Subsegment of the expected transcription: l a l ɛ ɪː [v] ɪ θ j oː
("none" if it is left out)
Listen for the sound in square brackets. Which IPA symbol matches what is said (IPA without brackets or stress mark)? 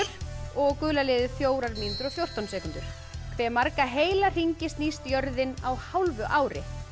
ð